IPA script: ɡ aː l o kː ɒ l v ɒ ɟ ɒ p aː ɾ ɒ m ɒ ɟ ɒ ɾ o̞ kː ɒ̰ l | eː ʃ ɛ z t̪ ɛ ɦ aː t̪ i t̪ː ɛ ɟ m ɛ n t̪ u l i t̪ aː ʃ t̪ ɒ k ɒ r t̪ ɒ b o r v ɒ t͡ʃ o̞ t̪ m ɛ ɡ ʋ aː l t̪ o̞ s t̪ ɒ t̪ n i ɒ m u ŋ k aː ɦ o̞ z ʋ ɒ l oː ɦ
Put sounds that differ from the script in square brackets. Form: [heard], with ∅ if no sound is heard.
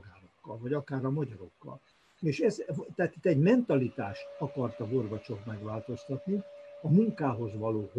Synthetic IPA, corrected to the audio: ɡ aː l o kː ɒ l v ɒ ɟ ɒ [k] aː ɾ ɒ m ɒ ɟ ɒ ɾ o̞ kː ɒ̰ l | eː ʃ ɛ z t̪ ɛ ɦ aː t̪ i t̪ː ɛ ɟ m ɛ n t̪ [ɒ] l i t̪ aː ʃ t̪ ɒ k ɒ r t̪ ɒ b o r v ɒ t͡ʃ o̞ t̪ m ɛ ɡ ʋ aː l t̪ o̞ s t̪ ɒ t̪ n i ɒ m u ŋ k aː ɦ o̞ z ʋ ɒ l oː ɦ